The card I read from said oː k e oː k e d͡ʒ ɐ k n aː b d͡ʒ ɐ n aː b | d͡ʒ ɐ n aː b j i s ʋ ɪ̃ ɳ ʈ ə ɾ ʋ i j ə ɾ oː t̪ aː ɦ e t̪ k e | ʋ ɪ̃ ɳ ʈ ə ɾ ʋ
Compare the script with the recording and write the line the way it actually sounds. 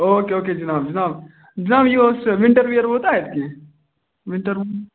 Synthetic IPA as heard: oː k e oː k e d͡ʒ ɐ n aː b d͡ʒ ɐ n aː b | d͡ʒ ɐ n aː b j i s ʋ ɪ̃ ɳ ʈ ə ɾ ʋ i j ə ɾ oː t̪ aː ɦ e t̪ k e | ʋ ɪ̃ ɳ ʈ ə ɾ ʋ